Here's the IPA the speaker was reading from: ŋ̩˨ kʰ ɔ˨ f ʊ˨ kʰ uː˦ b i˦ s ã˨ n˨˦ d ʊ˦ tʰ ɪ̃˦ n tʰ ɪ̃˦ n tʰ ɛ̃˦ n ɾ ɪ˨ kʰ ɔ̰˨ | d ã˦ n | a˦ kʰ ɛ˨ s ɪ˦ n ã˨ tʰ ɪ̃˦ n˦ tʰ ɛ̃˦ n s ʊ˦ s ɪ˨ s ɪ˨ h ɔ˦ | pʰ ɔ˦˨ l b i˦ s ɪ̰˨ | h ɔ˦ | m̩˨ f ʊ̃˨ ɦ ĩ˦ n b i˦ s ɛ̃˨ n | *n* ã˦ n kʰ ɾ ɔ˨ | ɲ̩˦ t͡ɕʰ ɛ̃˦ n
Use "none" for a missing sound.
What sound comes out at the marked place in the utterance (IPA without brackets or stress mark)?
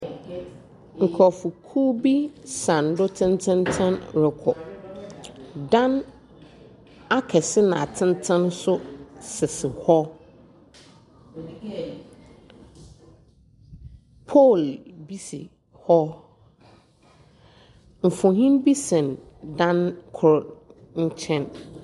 d